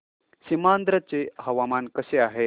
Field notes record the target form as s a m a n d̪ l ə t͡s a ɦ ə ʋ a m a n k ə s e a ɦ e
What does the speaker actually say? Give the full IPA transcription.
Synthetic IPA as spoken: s i m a n d̪ ɾ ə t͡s e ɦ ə ʋ a m a n k ə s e a ɦ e